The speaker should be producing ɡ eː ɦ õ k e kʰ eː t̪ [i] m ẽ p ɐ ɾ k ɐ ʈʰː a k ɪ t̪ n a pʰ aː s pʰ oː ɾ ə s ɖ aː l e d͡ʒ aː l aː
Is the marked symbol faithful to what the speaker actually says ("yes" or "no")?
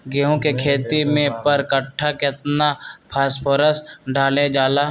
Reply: yes